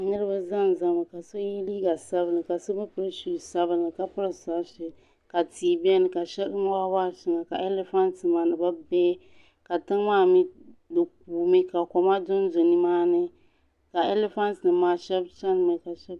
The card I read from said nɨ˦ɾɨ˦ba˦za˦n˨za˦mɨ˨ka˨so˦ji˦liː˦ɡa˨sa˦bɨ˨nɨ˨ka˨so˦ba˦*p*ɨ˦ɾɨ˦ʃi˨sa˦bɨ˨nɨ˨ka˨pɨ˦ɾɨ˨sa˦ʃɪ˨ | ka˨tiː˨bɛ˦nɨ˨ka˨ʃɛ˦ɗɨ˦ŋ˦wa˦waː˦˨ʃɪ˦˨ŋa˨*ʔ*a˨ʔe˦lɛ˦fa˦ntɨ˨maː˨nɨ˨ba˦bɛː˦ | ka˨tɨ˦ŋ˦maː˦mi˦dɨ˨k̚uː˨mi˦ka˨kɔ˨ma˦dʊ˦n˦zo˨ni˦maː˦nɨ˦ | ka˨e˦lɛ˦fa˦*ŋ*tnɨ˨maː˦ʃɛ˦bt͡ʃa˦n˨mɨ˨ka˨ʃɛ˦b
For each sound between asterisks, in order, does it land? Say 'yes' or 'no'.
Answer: yes, no, no

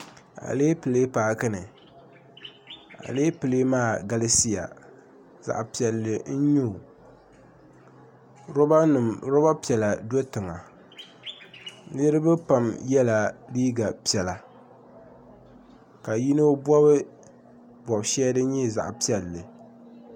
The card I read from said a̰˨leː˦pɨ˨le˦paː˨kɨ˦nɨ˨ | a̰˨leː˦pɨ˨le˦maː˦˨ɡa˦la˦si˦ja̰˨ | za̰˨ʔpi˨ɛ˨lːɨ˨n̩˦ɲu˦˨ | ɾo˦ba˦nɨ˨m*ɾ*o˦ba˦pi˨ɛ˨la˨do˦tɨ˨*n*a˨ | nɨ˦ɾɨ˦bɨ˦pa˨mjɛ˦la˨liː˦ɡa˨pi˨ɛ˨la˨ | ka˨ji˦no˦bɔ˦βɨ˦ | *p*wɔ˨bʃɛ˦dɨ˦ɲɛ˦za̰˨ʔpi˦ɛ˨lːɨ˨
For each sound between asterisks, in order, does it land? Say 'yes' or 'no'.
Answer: yes, no, no

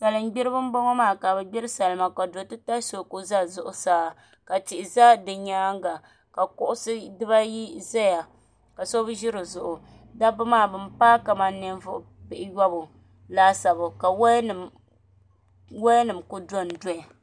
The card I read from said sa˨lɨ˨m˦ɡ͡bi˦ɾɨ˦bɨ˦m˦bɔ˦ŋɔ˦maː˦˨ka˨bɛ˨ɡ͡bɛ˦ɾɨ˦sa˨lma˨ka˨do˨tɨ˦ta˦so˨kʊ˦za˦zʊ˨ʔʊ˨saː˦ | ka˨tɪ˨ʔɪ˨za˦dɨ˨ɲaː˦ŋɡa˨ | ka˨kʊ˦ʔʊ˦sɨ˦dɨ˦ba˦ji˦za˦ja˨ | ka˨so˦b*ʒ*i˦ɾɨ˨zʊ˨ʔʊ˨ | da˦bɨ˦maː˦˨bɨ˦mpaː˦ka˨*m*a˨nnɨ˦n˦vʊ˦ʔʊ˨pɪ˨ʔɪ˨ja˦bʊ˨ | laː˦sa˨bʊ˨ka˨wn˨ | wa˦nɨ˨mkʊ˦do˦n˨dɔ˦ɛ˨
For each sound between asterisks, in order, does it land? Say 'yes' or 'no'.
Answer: yes, yes

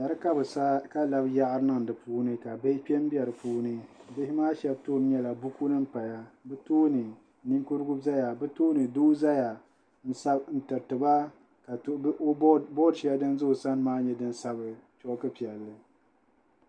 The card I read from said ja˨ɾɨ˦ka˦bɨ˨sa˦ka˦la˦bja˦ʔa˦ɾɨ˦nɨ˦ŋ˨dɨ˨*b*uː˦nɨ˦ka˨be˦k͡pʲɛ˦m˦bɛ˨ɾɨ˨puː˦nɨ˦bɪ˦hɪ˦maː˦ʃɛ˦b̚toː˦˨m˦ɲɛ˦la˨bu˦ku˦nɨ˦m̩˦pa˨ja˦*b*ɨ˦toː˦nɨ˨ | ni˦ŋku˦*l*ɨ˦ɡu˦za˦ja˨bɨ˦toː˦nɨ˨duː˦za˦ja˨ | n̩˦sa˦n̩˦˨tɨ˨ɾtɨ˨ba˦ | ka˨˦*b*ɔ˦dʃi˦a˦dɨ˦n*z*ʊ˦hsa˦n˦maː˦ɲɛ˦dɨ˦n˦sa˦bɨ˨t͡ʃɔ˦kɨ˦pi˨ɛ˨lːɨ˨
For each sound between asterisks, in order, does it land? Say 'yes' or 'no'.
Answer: no, yes, no, yes, yes

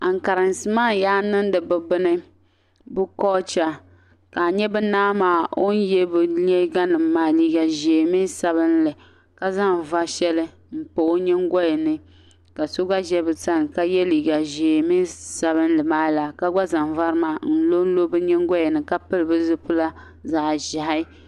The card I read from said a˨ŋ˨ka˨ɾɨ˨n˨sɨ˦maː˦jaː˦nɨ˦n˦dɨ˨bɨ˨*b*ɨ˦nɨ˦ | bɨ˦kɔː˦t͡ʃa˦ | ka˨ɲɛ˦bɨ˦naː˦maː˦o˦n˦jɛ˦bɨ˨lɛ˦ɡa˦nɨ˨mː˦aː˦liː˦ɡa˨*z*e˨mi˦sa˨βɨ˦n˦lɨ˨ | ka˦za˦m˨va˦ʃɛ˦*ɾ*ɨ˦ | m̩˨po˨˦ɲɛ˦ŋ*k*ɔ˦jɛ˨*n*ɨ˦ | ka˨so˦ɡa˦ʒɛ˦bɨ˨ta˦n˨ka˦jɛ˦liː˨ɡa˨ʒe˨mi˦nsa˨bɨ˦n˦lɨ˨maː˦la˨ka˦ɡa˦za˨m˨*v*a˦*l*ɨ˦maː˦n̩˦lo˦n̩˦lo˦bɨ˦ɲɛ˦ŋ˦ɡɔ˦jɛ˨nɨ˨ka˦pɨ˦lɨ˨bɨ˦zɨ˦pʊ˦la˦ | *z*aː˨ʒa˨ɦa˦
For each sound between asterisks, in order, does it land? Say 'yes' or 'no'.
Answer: yes, no, no, no, yes, yes, no, yes

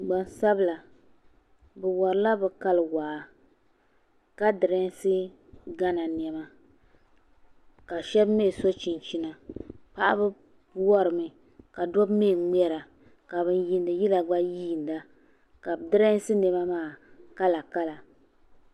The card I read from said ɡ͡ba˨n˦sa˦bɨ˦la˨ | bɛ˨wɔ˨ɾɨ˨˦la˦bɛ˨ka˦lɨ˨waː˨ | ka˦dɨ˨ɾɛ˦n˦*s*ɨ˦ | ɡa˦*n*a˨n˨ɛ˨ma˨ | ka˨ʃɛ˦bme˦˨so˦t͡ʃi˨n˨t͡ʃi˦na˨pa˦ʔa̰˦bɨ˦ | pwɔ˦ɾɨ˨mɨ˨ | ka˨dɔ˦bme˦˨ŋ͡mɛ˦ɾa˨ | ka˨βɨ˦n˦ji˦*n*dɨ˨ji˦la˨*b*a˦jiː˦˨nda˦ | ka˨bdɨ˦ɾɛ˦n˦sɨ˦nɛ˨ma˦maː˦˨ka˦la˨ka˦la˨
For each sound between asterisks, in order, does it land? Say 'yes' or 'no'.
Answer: yes, yes, yes, no

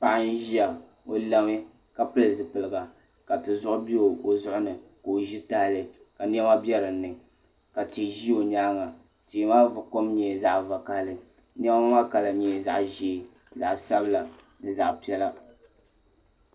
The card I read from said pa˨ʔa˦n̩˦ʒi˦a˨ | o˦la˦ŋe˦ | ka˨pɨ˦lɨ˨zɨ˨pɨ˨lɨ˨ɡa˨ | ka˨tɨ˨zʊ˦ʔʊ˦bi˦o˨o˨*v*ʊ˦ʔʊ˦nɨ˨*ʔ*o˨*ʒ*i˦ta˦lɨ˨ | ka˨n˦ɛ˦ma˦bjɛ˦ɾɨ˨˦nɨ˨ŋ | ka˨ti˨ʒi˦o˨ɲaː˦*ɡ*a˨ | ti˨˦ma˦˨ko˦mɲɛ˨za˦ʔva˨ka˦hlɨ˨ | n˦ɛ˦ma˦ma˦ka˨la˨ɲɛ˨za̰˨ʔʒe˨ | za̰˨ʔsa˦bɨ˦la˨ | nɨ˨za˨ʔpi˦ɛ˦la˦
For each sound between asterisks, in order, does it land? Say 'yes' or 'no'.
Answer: no, no, yes, no

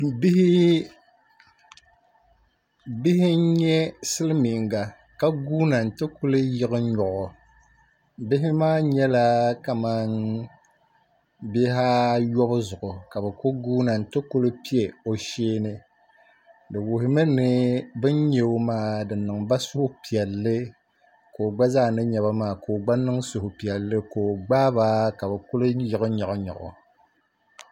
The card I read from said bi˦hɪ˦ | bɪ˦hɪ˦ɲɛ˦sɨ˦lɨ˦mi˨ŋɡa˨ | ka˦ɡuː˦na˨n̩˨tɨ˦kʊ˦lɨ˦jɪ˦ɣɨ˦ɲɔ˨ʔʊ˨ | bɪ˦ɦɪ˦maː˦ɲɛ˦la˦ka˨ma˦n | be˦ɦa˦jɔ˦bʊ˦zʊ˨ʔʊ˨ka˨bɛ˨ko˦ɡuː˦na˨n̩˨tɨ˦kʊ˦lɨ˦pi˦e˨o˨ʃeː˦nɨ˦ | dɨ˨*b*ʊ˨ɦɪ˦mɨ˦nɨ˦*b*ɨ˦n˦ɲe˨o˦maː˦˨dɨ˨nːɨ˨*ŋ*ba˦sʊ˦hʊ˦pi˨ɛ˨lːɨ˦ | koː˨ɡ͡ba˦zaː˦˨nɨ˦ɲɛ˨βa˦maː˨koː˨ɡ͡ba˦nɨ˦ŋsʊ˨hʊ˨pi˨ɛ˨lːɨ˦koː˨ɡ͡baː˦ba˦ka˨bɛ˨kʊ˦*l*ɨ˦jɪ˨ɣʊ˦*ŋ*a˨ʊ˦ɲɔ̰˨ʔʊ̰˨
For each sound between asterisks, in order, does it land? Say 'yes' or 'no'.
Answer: no, yes, yes, yes, no

